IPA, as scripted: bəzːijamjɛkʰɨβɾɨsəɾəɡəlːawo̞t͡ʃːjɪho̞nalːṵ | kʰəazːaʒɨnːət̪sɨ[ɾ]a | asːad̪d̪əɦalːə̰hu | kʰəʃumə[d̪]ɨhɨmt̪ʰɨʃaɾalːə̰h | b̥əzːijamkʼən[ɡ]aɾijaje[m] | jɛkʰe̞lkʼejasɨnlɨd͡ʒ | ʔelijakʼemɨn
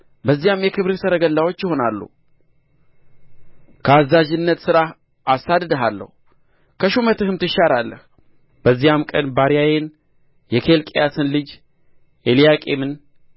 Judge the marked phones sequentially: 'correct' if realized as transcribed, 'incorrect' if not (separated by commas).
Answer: correct, incorrect, incorrect, incorrect